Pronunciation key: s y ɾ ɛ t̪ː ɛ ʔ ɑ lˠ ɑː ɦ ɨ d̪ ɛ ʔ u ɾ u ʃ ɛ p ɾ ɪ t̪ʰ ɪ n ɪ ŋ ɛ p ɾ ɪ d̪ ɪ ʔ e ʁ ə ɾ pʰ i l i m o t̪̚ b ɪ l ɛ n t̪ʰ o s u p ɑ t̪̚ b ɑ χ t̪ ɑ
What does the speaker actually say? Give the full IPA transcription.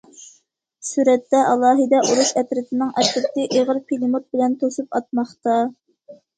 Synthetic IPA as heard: s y ɾ ɛ t̪ː ɛ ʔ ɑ lˠ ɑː ɦ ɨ d̪ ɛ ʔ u ɾ u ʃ ɛ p ɾ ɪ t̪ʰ ɪ n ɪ ŋ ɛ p ɾ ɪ t̪ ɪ ʔ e ʁ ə ɾ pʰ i l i m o t̪̚ b ɪ l ɛ n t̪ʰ o s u p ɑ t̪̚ m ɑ χ t̪ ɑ